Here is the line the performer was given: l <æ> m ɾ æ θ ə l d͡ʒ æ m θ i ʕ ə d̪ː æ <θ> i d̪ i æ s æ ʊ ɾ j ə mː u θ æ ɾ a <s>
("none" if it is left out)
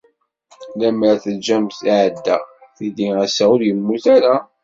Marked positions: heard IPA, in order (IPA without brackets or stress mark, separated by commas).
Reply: æ, θ, none